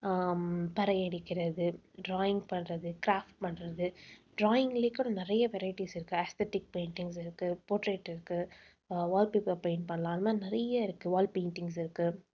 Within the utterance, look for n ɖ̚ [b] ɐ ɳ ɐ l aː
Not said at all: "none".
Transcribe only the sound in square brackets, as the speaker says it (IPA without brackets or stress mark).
p